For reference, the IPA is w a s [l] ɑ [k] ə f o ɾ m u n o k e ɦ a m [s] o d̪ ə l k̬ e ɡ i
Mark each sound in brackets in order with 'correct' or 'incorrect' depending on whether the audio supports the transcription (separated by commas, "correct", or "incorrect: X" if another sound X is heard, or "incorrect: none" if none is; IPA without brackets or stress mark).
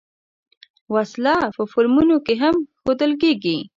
correct, incorrect: p, incorrect: x